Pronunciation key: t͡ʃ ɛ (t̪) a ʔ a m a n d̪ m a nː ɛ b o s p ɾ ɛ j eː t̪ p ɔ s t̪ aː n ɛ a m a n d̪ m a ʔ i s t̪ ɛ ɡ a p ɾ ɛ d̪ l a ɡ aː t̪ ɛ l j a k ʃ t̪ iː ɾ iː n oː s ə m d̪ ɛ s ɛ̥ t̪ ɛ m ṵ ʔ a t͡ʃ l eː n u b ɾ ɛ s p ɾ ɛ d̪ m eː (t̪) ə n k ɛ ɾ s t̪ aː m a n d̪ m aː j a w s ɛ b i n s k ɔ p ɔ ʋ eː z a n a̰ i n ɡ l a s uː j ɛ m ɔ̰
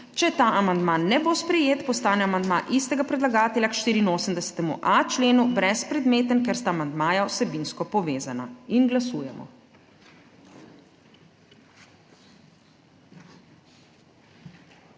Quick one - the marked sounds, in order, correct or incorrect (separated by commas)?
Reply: correct, correct